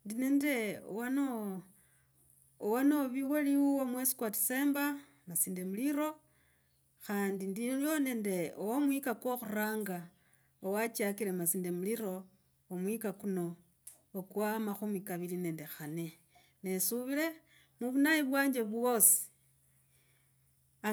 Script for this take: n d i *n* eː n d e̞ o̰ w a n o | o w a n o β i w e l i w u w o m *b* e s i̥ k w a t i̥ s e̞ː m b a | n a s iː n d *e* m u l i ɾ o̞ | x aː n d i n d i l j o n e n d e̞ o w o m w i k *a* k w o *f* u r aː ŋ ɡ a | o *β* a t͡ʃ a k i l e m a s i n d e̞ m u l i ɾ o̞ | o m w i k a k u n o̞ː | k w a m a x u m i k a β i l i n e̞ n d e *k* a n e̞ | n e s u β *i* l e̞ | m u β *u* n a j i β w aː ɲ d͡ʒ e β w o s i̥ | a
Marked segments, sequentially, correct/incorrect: correct, incorrect, correct, correct, incorrect, incorrect, incorrect, correct, correct

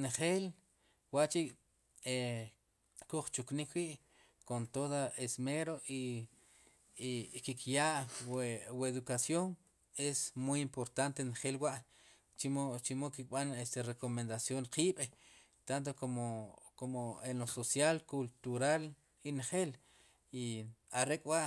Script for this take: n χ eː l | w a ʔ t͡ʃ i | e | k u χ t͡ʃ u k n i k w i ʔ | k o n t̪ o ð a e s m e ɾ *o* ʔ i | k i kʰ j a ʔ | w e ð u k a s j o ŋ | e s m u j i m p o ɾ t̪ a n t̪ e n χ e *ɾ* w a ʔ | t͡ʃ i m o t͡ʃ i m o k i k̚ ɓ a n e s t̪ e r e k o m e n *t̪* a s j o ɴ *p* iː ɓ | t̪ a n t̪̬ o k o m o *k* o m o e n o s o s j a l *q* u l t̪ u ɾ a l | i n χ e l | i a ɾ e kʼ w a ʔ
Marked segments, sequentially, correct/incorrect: correct, incorrect, incorrect, incorrect, correct, incorrect

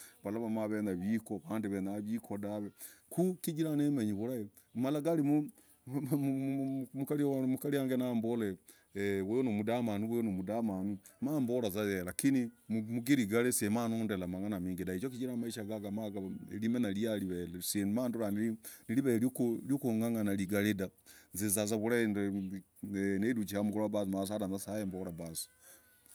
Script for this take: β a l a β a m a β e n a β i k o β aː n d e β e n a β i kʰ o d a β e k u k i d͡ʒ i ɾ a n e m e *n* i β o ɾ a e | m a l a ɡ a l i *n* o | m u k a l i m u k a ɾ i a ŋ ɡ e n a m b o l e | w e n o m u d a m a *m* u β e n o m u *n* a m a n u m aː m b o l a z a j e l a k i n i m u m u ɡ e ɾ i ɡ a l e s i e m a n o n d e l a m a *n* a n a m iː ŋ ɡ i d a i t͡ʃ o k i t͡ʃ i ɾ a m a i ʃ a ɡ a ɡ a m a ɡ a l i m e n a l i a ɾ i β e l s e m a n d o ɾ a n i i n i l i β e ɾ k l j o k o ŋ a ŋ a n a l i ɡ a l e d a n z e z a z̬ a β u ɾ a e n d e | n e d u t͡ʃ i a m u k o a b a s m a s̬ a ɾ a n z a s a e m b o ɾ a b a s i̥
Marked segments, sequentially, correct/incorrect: incorrect, incorrect, incorrect, incorrect, incorrect

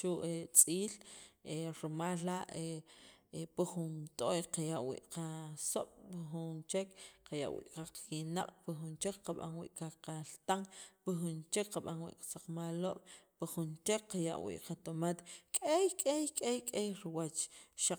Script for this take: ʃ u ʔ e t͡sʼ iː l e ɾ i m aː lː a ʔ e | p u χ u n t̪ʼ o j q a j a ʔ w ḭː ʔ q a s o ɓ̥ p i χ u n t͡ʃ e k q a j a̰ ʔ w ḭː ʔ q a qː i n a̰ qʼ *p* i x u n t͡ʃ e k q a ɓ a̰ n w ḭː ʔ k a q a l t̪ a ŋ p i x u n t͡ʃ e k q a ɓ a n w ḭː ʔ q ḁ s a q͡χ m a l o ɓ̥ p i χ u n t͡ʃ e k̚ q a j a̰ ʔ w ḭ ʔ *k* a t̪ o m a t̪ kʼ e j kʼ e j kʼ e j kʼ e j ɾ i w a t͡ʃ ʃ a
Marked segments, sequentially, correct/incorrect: correct, incorrect

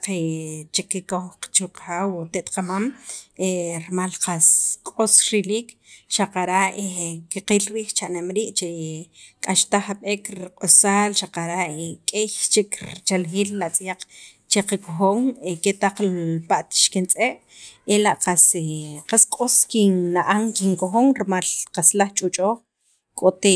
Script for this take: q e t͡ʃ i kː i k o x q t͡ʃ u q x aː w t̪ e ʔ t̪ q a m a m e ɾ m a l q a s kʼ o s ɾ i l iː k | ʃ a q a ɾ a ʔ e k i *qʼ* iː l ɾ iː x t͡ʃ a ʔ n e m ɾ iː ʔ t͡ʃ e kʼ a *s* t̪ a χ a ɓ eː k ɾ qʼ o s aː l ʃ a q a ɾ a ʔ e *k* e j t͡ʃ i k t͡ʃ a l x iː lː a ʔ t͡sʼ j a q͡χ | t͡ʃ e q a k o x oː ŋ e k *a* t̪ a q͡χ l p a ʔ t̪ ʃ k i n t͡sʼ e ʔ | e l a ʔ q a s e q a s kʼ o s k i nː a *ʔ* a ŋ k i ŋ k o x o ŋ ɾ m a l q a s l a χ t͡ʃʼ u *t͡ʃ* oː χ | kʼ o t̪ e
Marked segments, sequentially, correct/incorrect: incorrect, incorrect, incorrect, incorrect, correct, incorrect

